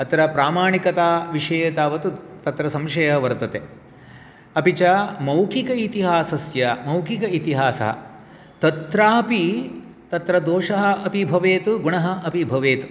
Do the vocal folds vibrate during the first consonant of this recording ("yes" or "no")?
no